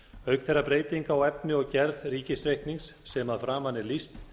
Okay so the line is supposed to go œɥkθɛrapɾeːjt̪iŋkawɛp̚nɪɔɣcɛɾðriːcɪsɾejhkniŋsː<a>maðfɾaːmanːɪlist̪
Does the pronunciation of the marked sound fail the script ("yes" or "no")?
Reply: yes